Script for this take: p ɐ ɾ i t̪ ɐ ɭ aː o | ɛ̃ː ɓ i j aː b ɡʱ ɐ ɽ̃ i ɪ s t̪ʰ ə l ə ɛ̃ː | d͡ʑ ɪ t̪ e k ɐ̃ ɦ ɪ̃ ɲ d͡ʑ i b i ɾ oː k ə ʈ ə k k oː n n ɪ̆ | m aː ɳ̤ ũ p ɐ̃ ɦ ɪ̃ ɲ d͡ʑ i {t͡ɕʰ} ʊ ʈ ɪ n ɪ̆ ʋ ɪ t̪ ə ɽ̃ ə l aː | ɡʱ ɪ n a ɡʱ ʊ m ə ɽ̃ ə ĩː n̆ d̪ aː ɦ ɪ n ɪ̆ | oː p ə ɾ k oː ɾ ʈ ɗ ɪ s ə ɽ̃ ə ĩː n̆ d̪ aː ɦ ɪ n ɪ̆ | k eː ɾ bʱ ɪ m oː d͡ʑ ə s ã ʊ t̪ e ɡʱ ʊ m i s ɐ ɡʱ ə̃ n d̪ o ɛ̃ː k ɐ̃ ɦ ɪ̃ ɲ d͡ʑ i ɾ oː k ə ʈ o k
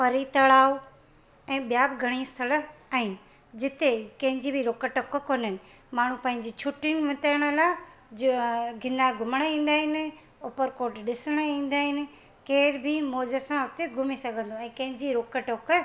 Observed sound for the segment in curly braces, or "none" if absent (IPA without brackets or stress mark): t͡ɕʰ